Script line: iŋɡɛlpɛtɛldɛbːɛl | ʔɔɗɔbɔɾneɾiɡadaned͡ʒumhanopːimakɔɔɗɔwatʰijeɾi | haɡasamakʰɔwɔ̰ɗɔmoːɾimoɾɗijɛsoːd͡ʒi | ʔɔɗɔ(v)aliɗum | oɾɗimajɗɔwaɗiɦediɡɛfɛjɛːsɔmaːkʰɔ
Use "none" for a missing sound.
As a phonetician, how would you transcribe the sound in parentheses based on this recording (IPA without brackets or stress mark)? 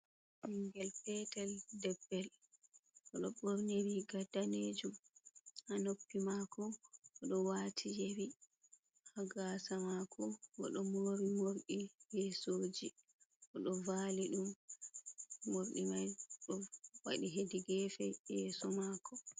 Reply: v